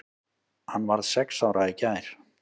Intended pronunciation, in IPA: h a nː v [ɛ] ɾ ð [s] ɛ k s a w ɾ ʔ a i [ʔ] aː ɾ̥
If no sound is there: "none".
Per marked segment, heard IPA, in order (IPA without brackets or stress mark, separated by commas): a, s, c